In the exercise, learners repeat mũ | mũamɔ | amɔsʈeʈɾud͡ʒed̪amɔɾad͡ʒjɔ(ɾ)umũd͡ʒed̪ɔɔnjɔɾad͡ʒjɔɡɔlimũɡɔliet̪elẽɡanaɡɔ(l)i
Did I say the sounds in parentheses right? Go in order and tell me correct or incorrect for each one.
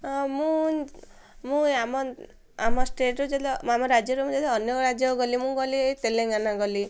correct, correct

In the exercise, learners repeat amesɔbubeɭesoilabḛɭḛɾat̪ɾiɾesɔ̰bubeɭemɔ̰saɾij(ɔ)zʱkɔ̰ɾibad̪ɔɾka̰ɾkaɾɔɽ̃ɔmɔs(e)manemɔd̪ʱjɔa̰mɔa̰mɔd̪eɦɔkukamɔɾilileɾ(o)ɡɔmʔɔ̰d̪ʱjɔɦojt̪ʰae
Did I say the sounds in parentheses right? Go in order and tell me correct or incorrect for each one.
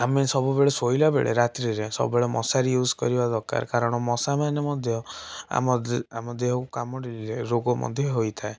incorrect: u, incorrect: a, correct

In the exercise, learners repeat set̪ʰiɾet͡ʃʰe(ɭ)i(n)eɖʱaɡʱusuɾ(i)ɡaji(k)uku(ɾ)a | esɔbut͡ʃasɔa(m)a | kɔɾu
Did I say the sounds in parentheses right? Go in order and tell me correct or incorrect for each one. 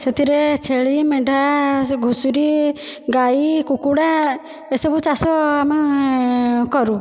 correct, incorrect: m, correct, correct, incorrect: ɽ, correct

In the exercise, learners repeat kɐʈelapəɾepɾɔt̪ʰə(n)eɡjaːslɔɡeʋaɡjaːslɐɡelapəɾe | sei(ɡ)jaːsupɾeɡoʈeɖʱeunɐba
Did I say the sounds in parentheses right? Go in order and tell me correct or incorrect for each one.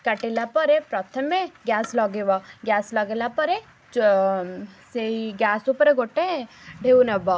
incorrect: m, correct

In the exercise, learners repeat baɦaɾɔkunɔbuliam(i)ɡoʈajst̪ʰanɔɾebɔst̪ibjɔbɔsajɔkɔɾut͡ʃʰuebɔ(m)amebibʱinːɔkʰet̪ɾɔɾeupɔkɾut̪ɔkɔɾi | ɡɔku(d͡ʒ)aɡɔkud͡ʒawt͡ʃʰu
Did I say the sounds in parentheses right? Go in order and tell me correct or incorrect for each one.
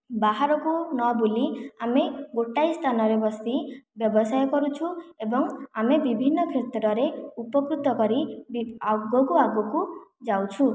incorrect: e, incorrect: ŋ, incorrect: none

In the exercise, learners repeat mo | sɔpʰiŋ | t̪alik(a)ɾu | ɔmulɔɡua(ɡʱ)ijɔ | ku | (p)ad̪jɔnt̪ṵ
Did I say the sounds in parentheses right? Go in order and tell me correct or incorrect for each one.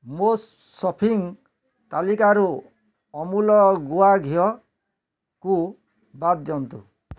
correct, correct, incorrect: b

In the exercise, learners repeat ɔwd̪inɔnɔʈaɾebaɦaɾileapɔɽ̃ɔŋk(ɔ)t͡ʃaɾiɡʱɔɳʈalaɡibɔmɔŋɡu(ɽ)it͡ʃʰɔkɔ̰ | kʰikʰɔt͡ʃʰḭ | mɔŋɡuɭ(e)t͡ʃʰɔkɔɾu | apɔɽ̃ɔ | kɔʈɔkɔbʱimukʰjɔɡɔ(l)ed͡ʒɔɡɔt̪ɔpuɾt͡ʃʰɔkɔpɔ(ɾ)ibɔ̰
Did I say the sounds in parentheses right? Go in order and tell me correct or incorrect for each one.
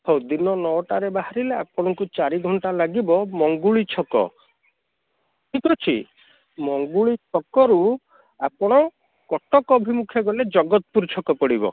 incorrect: u, incorrect: ɭ, incorrect: i, correct, incorrect: ɽ

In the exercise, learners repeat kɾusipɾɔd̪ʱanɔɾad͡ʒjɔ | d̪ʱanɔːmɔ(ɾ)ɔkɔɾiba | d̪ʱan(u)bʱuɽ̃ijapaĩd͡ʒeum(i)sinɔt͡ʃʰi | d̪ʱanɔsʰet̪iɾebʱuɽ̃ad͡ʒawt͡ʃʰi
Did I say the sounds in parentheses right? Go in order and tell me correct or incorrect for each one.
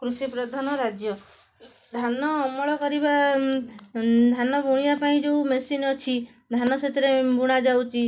incorrect: ɭ, incorrect: ɔ, incorrect: e

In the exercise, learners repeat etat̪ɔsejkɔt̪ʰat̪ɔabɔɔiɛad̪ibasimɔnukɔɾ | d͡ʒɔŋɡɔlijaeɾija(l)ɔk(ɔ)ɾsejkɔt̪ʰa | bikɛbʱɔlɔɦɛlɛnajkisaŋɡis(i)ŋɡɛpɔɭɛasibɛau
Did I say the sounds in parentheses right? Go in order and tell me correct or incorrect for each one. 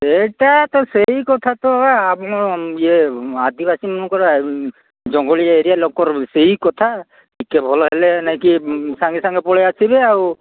correct, correct, incorrect: a

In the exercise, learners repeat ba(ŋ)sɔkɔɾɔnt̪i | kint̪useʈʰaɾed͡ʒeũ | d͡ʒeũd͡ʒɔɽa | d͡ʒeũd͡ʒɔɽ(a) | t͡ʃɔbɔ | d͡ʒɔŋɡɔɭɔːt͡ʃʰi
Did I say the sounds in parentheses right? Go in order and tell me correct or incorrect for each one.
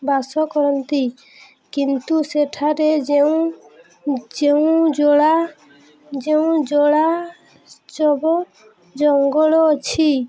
incorrect: none, correct

